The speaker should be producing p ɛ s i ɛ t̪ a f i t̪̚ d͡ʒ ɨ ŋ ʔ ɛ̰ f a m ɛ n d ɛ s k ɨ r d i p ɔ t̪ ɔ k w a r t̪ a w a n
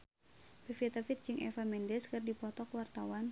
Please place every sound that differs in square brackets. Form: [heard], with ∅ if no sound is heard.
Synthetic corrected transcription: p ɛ [f] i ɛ t̪ a f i t̪̚ d͡ʒ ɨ ŋ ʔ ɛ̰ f a m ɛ n d ɛ s k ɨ r d i p ɔ t̪ ɔ k w a r t̪ a w a n